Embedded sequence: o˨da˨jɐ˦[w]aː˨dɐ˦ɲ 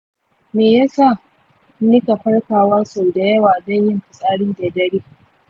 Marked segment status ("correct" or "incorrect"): correct